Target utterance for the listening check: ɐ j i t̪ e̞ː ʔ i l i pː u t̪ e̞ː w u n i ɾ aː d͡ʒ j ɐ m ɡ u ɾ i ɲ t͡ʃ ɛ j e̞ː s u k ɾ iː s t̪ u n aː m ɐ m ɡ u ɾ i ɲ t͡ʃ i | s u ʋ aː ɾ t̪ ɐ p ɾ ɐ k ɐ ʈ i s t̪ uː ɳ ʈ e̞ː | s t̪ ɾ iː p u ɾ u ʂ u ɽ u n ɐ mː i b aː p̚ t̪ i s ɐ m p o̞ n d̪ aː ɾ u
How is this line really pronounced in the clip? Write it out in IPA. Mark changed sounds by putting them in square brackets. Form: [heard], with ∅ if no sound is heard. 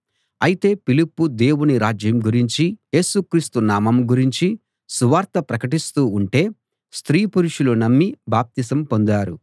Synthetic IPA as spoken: ɐ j i t̪ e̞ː [p] i l i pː u [d̪] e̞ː w u n i ɾ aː d͡ʒ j ɐ m ɡ u ɾ i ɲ t͡ʃ [i] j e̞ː s u k ɾ iː s t̪ u n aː m ɐ m ɡ u ɾ i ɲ t͡ʃ i | s u ʋ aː ɾ t̪ ɐ p ɾ ɐ k ɐ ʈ i s t̪ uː ɳ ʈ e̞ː | s t̪ ɾ iː p u ɾ u ʂ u [l] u n ɐ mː i b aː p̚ t̪ i s ɐ m p o̞ n d̪ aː ɾ u